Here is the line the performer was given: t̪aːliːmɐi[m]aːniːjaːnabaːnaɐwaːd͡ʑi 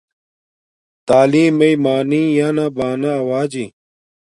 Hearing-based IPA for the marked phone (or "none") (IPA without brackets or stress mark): m